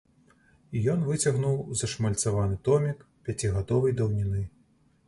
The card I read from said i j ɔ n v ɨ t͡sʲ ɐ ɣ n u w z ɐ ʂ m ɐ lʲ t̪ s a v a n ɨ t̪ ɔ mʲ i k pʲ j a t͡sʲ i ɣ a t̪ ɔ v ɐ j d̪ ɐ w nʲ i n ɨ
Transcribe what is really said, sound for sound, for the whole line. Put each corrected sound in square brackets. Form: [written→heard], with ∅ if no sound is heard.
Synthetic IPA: i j ɔ n v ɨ t͡sʲ ɐ ɣ n u w z ɐ ʂ m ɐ lʲ t̪ s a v a n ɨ t̪ ɔ mʲ i k pʲ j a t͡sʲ i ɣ a [t̪→d̪] ɔ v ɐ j d̪ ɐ w nʲ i n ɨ